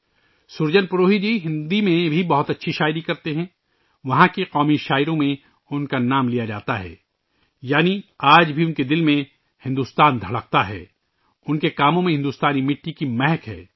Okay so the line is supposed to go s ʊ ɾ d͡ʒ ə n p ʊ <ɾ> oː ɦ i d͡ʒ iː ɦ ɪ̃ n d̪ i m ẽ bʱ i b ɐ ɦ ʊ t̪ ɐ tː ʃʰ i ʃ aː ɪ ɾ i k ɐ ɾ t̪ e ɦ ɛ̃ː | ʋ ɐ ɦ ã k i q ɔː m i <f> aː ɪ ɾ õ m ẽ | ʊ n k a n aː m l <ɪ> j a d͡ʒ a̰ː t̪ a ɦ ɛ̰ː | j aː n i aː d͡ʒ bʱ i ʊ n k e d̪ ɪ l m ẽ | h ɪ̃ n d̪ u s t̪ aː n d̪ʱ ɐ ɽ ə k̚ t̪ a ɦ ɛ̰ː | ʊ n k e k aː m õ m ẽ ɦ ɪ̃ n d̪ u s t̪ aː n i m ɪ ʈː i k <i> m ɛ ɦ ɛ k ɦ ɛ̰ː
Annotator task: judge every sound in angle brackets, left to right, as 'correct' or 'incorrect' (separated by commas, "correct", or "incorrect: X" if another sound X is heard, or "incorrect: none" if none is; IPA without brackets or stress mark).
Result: correct, incorrect: ʃ, incorrect: i, correct